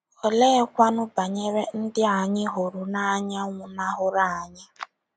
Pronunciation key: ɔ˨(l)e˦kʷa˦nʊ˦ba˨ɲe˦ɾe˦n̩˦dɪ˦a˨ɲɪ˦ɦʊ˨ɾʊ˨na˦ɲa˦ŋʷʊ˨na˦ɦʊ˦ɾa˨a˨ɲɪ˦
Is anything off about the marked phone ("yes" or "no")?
no